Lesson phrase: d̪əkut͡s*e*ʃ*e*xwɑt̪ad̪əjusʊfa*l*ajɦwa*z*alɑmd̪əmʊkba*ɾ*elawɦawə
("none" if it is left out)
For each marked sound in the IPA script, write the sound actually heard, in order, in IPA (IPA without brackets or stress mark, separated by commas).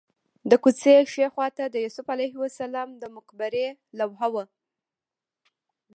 e, e, l, s, ɾ